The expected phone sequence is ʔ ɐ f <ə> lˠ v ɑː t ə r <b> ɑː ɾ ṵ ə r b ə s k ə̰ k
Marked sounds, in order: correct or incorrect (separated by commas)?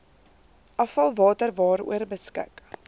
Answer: incorrect, incorrect